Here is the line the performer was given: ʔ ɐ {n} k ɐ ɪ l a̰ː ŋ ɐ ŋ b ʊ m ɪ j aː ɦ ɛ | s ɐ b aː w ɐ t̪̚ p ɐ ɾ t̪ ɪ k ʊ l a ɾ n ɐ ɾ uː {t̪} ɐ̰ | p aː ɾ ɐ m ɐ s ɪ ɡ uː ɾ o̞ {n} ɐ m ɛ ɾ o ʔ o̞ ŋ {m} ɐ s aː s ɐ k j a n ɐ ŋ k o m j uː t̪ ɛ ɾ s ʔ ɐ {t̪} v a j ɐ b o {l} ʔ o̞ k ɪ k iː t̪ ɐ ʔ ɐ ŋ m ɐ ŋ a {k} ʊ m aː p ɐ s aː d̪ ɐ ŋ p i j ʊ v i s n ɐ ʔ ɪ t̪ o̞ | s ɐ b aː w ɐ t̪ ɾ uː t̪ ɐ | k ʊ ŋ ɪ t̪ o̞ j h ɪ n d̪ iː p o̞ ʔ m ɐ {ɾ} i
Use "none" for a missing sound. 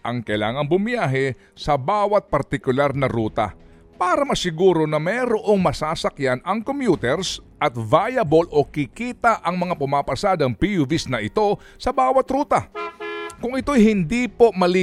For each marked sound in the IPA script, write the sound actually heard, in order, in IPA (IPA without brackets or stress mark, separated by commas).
ŋ, t̪, n, m, t̪, l, p, l